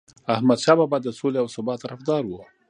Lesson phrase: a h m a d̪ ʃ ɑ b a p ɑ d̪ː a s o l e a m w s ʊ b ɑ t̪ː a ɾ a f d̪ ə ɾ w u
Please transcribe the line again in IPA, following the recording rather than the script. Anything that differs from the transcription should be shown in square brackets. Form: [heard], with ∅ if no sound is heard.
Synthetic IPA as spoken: a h m a d̪ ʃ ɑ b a [b] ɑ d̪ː [ə] s o l e a [∅] w s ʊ b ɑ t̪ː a ɾ a f d̪ [ɑ] ɾ w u